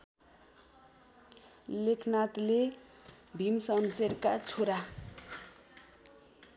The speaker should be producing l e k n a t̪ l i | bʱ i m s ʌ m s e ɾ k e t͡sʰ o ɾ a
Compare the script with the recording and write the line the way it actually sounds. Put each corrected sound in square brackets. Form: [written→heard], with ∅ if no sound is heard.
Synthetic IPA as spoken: l e [k→kʰ] n a t̪ l [i→e] | bʱ i m s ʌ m s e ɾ k [e→a] t͡sʰ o ɾ a